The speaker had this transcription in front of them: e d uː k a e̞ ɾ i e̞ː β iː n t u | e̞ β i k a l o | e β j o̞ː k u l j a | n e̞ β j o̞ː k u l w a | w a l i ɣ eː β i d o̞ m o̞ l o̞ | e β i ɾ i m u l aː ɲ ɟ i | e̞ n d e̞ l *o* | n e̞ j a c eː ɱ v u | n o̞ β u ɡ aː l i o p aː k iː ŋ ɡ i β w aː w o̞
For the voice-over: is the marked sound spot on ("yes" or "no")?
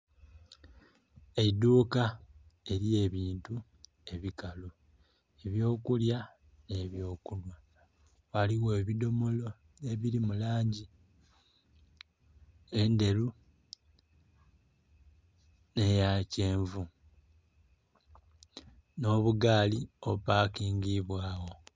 no